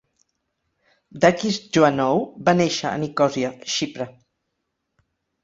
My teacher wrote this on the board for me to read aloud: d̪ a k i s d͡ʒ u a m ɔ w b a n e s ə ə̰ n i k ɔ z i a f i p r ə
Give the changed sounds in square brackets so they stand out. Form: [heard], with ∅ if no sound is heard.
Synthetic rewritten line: d̪ a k i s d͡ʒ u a [n] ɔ w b a n e [ʃ] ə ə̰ n i k ɔ z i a [ʃ] i p [ɾ] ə